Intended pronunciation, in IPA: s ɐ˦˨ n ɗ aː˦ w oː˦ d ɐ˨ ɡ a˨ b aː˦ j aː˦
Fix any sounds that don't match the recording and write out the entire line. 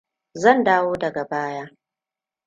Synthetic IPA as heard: z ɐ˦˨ n d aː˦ w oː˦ d ɐ˨ ɡ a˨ b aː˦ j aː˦